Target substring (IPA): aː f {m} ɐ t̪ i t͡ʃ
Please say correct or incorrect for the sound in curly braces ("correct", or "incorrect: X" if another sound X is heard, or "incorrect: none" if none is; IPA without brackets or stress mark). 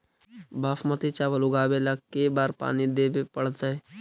correct